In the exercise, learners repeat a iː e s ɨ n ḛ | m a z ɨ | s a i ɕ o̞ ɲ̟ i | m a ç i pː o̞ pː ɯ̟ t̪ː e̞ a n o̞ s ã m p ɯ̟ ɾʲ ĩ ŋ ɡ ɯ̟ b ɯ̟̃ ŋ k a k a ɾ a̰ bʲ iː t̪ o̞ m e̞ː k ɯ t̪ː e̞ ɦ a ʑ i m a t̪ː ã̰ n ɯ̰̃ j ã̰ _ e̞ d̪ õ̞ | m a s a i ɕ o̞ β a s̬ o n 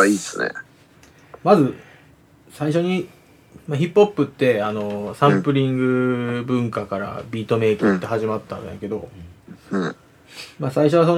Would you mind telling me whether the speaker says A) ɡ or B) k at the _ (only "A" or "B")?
B